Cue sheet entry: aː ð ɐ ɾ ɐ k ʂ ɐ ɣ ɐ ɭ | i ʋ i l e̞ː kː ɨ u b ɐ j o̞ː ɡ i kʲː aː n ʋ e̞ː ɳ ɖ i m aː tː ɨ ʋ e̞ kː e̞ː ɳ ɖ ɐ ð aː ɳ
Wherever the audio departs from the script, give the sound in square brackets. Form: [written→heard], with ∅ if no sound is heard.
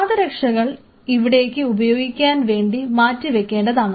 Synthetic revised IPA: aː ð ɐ ɾ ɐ k ʂ ɐ ɣ ɐ ɭ | i ʋ i [l→ɽ] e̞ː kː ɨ u b ɐ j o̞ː ɡ i kʲː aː n ʋ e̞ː ɳ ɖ i m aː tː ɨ ʋ e̞ kː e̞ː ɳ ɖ ɐ ð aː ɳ